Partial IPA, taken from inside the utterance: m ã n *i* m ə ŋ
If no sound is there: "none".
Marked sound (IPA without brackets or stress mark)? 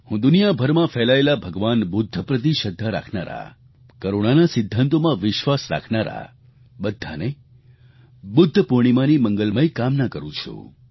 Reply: i